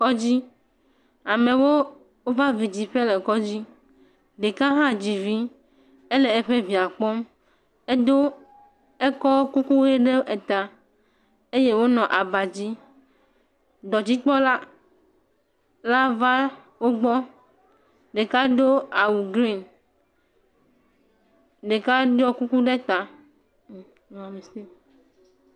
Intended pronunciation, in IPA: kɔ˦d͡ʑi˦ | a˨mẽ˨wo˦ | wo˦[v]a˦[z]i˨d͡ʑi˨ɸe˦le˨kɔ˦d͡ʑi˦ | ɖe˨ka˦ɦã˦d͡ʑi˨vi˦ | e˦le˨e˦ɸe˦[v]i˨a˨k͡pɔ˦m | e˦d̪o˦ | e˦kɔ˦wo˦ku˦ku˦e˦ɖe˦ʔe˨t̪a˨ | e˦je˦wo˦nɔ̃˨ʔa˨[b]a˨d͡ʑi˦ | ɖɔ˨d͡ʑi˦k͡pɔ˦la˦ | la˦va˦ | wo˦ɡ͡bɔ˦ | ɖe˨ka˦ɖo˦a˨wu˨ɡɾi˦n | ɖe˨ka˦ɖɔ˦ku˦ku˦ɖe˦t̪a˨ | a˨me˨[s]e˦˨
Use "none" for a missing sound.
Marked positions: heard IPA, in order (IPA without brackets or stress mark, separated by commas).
v, v, v, b, s